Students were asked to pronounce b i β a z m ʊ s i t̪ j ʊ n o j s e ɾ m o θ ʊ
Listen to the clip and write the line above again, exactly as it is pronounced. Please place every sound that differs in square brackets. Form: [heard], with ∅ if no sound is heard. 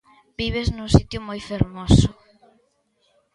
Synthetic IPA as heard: b i β [e] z [n] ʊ s i t̪ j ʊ [m] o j [f] e ɾ m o [s] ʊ

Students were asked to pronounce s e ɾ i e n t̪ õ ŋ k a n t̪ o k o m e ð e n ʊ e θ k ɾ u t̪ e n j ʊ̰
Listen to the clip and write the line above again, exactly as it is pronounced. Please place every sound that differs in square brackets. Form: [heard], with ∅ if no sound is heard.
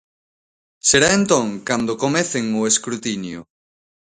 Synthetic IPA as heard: s e ɾ [a] e n t̪ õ ŋ k a n [d̪] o k o m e [θ] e [ŋ] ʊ e [s] k ɾ u t̪ [i] n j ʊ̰

